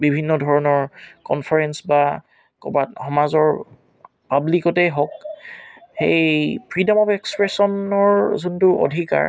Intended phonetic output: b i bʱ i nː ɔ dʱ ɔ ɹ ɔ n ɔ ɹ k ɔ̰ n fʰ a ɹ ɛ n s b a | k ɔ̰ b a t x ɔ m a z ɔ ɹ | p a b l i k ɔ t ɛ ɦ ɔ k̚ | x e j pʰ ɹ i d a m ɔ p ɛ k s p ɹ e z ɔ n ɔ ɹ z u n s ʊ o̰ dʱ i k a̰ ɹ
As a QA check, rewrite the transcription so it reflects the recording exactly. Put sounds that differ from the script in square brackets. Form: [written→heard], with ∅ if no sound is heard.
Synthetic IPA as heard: b i bʱ i nː ɔ dʱ ɔ ɹ ɔ n ɔ ɹ k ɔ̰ n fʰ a ɹ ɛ n s b a | k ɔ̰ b a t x ɔ m a z ɔ ɹ | p a b l i k ɔ t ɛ ɦ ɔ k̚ | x e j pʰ ɹ i d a m ɔ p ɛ k s p ɹ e [z→s] ɔ n ɔ ɹ z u n [s→t] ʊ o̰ dʱ i k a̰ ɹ

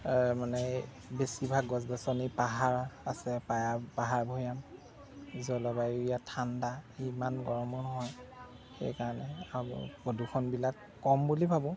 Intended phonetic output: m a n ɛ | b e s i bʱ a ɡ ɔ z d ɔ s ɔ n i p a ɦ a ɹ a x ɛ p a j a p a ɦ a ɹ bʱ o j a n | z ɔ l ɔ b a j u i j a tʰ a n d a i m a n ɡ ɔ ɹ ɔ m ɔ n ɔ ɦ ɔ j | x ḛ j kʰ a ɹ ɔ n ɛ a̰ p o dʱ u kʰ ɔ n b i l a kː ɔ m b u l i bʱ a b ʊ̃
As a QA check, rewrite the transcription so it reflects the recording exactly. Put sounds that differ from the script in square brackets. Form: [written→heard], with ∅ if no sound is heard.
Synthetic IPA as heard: m a n ɛ | b e s i bʱ a ɡ ɔ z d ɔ s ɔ n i p a ɦ a ɹ a [x→s] ɛ p a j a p a ɦ a ɹ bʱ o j a [n→m] | z ɔ l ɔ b a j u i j a tʰ a n d a i m a n ɡ ɔ ɹ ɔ m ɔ n ɔ ɦ ɔ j | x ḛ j [kʰ→k] a ɹ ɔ n ɛ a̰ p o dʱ u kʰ ɔ n b i l a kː ɔ m b u l i bʱ a b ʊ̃

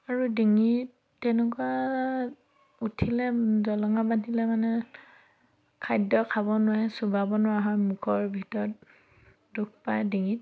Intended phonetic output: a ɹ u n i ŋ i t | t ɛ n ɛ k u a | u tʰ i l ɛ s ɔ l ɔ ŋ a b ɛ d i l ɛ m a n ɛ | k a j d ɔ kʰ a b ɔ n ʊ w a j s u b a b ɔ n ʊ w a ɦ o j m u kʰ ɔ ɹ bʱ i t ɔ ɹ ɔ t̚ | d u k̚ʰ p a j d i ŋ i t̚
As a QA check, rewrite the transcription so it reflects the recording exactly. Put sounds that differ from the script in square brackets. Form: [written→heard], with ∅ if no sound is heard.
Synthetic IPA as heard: a ɹ u [n→d] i ŋ i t | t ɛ n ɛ k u a | u tʰ i l ɛ [s→z] ɔ l ɔ ŋ a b [ɛ→a] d i l ɛ m a n ɛ | [k→kʰ] a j d ɔ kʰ a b ɔ n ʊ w a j s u b a b ɔ n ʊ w a ɦ [o→ɔ] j m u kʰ ɔ ɹ bʱ i t ɔ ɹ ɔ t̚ | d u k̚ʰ p a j d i ŋ i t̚

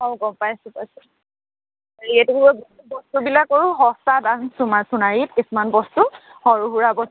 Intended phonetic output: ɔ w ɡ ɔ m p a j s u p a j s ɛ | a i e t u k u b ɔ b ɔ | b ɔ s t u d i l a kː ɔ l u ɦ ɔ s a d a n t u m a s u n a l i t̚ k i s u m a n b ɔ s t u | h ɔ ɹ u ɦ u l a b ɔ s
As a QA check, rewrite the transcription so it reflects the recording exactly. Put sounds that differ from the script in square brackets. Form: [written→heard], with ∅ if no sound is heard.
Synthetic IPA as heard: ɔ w ɡ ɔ m p a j s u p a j s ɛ | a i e t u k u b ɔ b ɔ | b ɔ s t u [d→b] i l a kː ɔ [l→ɹ] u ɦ ɔ s a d a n [t→s] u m a s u n a [l→ɹ] i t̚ k i s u m a n b ɔ s t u | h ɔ ɹ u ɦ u [l→ɹ] a b ɔ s

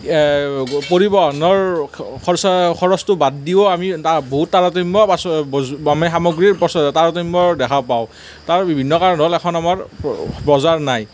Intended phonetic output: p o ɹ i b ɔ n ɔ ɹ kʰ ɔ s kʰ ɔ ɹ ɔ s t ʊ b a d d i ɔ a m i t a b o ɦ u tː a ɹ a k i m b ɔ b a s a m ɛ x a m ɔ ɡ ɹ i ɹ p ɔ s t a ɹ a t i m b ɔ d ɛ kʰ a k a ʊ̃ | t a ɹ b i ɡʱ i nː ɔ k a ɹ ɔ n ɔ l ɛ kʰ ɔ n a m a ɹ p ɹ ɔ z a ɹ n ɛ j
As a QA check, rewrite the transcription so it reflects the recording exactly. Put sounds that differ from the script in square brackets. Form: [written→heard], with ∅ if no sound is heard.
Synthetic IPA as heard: p o ɹ i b ɔ n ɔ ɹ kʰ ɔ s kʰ ɔ ɹ ɔ s t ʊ b a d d i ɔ a m i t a b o ɦ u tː a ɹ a [k→t] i m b ɔ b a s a m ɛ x a m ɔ ɡ ɹ i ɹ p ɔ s t a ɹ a t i m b ɔ d ɛ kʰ a [k→p] a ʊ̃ | t a ɹ b i [ɡʱ→bʱ] i nː ɔ k a ɹ ɔ n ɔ l ɛ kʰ ɔ n a m a ɹ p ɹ ɔ z a ɹ n [ɛ→a] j

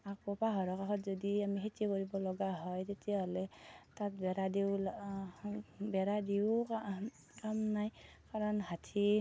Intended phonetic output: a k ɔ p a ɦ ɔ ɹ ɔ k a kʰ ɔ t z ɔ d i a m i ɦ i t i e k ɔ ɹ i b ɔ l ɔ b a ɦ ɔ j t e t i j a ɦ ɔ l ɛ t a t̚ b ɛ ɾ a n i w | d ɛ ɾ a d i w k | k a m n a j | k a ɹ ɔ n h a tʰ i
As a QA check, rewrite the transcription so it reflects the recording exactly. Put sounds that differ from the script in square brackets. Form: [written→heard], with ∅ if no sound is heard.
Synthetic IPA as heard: a k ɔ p a ɦ ɔ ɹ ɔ k a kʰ ɔ t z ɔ d i a m i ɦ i t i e k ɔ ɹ i b ɔ l ɔ [b→ɡ] a ɦ ɔ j t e t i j a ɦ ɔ l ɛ t a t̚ b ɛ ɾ a [n→d] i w | [d→b] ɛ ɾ a d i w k | k a m n a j | k a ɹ ɔ n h a tʰ i

